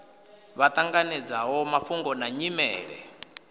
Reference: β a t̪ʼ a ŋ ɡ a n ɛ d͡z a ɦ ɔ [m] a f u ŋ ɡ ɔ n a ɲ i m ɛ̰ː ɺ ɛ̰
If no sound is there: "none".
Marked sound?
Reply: m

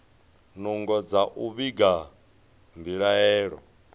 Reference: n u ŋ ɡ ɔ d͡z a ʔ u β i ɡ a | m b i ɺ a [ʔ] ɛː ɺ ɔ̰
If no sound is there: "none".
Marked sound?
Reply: none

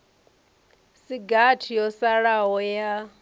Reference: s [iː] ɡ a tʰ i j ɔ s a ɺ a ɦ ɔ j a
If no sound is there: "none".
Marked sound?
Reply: i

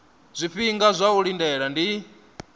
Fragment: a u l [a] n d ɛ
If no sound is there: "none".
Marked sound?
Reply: i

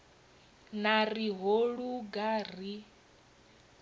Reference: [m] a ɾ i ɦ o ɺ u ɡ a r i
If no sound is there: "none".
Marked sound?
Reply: n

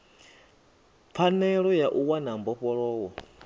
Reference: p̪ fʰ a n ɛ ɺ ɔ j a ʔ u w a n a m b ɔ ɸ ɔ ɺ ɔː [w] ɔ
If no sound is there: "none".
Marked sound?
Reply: w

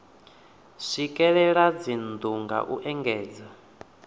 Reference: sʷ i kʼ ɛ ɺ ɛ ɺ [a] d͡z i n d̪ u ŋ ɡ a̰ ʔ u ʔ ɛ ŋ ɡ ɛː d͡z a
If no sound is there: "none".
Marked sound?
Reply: a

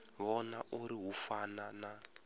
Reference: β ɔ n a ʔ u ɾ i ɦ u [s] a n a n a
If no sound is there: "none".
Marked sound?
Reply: f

